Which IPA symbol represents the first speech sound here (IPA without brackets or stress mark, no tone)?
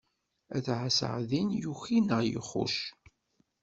æ